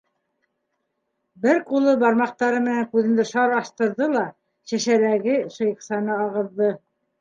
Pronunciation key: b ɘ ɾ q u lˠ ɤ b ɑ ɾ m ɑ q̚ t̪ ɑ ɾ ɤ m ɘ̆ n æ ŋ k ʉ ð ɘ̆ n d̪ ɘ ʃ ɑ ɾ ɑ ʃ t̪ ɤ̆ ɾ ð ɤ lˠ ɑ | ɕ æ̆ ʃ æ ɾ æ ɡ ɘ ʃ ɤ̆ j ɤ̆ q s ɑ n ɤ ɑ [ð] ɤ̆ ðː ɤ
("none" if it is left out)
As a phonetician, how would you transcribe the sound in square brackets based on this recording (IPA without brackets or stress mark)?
ʁ